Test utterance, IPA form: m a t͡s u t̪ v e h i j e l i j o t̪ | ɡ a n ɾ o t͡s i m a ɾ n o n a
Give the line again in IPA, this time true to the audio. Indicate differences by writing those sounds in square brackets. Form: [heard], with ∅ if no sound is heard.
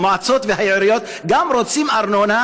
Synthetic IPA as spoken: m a t͡s [o] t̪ v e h [a] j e [ɾ] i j o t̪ | ɡ a [m] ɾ o t͡s i m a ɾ n o n a